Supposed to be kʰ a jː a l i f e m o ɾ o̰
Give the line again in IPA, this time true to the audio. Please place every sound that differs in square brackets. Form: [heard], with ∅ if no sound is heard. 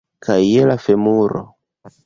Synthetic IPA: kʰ a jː [e] l [a] f e m [u] ɾ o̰